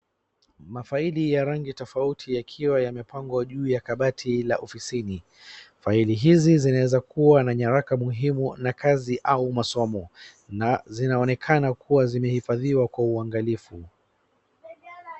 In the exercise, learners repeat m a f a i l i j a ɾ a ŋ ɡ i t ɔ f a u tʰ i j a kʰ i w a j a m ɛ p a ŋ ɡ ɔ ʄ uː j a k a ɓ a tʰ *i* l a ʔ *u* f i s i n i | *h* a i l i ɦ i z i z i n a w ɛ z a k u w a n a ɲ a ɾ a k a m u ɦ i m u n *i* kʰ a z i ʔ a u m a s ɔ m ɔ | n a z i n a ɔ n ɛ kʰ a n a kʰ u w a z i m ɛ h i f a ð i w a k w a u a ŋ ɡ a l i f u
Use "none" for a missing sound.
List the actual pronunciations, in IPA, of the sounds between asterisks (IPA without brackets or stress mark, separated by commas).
i, ɔ, f, a